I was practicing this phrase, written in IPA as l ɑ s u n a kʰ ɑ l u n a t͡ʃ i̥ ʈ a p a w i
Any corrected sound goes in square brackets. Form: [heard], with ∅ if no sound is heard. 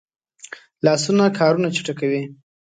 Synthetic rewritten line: l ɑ s u n a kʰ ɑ [ɾ] u n a t͡ʃ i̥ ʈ a [k] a w i